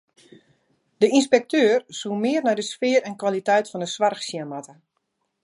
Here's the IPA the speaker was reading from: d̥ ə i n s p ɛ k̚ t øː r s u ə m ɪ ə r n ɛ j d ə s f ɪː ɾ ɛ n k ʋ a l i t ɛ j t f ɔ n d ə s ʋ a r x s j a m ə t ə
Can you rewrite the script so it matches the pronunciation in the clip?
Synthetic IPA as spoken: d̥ ə i n s p ɛ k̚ t øː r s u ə m ɪ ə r n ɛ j d ə s f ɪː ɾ ɛ n k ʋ a l i t ɛ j t f ɔ n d ə s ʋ a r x s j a m a t ə